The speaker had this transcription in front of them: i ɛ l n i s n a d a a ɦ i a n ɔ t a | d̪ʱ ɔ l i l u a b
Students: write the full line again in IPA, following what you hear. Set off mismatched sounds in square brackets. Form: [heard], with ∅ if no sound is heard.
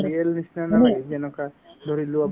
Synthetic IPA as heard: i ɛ l n i s n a [n] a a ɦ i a n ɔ [k] a | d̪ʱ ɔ [ɾ] i l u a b